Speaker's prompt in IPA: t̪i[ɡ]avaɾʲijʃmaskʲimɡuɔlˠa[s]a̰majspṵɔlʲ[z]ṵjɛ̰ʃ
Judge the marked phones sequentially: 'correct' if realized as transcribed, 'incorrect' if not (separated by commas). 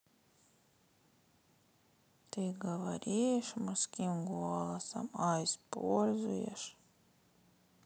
correct, correct, correct